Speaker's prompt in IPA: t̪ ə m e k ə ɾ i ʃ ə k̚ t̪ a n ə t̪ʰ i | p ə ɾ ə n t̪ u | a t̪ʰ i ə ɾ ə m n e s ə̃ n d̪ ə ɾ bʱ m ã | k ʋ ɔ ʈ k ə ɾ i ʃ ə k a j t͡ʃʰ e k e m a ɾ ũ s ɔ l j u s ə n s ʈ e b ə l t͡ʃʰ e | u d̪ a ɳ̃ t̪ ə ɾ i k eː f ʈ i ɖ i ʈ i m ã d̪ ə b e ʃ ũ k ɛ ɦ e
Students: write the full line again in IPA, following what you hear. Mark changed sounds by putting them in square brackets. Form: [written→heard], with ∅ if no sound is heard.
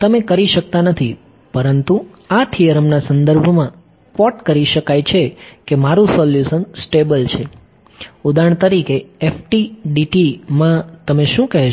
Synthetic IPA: t̪ ə m e k ə ɾ i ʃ ə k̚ t̪ a n ə t̪ʰ i | p ə ɾ ə n t̪ u | a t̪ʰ i ə ɾ ə m n [e→a] s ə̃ n d̪ ə ɾ bʱ m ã | k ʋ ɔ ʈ k ə ɾ i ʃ ə k a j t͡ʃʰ e k e m a ɾ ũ s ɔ l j u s ə n s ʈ e b ə l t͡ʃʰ e | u d̪ a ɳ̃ t̪ ə ɾ i k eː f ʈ i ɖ i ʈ i m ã [d̪→t̪] ə [b→m] e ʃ ũ k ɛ ɦ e

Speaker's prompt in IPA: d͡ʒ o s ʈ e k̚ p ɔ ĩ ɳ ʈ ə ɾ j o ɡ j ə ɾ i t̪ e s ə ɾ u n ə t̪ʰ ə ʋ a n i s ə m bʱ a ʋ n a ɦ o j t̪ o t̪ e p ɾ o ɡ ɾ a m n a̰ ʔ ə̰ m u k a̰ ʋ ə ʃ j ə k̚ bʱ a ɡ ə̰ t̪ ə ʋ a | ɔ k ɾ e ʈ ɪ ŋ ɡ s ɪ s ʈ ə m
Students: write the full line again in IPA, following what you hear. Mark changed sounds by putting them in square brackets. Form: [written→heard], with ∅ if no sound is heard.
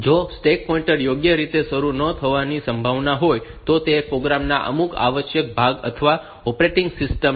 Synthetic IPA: d͡ʒ o s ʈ e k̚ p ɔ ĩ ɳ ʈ ə ɾ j o ɡ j ə ɾ i t̪ e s ə ɾ u n ə t̪ʰ ə ʋ a n i s ə m bʱ a ʋ n a ɦ o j t̪ o t̪ e p ɾ o ɡ ɾ a m n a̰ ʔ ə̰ m u k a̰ ʋ ə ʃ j ə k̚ bʱ a ɡ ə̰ [t̪→t̪ʰ] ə ʋ a | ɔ [k→p] ɾ e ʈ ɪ ŋ ɡ s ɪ s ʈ ə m

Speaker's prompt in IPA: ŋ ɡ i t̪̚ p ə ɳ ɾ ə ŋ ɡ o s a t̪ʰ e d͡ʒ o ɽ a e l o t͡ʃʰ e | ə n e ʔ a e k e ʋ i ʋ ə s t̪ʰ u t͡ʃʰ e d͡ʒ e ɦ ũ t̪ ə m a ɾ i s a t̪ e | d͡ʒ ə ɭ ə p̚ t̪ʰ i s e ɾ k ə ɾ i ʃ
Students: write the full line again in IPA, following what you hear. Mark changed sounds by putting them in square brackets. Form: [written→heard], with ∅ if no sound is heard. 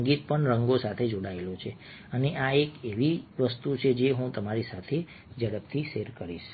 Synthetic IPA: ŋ ɡ i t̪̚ p ə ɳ ɾ ə ŋ ɡ o s a t̪ʰ e d͡ʒ o ɽ a e l o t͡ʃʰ e | ə n e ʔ a e k e ʋ i ʋ ə s [t̪ʰ→t̪] u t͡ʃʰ e d͡ʒ e ɦ ũ t̪ ə m a ɾ i s a [t̪→t̪ʰ] e | d͡ʒ ə [ɭ→ɽ] ə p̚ t̪ʰ i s e ɾ k ə ɾ i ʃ

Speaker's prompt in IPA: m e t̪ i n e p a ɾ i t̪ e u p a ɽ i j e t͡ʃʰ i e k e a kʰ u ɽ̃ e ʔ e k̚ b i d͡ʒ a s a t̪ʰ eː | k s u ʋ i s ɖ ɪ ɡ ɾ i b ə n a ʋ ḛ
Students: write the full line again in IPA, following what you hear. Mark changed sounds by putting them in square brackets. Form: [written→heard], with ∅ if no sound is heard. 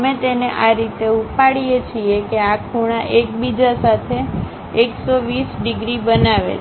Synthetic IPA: m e t̪ [i→e] n e [p→ʔ] a ɾ i t̪ e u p a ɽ i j e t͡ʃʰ i e k e a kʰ u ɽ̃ [e→a] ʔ e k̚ b i d͡ʒ a s a t̪ʰ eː | k s [u→o] ʋ i s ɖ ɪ ɡ ɾ i b ə n a ʋ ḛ

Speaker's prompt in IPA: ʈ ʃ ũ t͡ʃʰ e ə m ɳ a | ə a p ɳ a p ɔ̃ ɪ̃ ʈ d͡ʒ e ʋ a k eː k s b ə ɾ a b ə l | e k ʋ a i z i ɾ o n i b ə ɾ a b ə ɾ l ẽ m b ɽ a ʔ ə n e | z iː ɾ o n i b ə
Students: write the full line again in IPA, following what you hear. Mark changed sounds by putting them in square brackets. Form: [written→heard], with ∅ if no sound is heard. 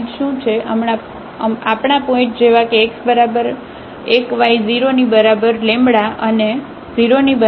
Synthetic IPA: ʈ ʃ ũ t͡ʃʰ e ə m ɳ a | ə a p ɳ a p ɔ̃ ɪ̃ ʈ d͡ʒ e ʋ a k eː k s b ə ɾ a b ə [l→ɾ] | e k ʋ a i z i ɾ o n i b ə ɾ a b ə ɾ l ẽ m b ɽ a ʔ ə n e | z [iː→i] ɾ o n i b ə

